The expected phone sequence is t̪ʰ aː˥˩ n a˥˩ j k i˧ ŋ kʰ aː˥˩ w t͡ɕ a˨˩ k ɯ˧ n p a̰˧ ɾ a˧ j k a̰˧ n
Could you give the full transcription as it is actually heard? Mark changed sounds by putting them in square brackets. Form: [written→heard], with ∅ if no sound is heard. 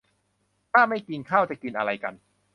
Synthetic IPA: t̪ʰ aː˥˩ [n→m] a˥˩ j k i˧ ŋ kʰ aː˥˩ w t͡ɕ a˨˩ k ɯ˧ n [p→ʔ] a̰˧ ɾ a˧ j k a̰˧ n